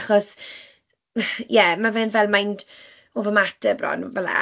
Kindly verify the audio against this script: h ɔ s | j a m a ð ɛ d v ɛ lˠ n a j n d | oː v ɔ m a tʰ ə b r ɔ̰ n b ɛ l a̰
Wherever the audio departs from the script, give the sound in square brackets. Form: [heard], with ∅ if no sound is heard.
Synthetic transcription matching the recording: [χ] ɔ s | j [ɛ] m a [v] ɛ [n] v ɛ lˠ [m] a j n d | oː v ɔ m a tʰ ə b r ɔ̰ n [v] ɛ l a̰